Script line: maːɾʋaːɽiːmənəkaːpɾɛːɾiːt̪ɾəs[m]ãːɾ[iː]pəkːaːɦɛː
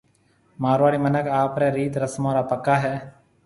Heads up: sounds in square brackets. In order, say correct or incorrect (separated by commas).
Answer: correct, incorrect